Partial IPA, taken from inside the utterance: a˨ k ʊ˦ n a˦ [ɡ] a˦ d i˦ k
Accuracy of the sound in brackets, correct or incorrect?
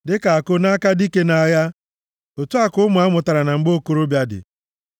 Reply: incorrect